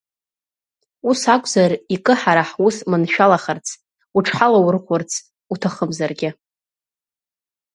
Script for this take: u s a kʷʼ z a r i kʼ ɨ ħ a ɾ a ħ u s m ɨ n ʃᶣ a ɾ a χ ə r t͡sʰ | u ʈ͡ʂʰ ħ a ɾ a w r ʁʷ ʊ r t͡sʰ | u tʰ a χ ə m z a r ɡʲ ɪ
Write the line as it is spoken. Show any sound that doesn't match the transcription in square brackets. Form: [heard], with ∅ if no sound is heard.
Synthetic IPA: u s a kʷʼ z a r i kʼ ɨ ħ a ɾ a ħ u s m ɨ n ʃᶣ a [l] a χ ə r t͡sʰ | u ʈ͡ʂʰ ħ a [l] a w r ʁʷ ʊ r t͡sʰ | u tʰ a χ ə m z a r ɡʲ ɪ